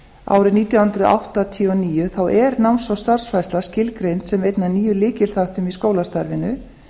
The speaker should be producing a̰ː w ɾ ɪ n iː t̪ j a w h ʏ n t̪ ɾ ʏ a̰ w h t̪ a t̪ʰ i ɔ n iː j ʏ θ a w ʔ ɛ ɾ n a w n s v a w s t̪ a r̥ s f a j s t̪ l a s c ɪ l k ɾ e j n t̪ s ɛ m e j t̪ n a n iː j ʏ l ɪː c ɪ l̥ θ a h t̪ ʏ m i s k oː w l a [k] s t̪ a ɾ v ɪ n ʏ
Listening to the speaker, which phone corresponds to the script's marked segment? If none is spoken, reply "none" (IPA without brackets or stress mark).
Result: none